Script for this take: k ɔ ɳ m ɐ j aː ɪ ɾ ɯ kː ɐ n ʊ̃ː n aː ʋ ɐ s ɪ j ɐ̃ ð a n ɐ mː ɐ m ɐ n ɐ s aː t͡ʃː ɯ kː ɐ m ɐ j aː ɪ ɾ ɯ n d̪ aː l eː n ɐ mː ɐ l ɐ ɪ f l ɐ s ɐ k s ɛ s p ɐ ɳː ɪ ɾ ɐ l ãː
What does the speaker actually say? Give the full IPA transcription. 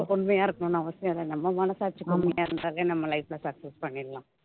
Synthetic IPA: k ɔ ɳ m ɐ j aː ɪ ɾ ɯ kː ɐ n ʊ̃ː n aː ʋ ɐ s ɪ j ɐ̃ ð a n ɐ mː ɐ m ɐ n ɐ s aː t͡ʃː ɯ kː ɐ m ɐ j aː ɪ ɾ ɯ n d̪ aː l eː n ɐ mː ɐ l ɐ ɪ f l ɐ s ɐ k s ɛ s p ɐ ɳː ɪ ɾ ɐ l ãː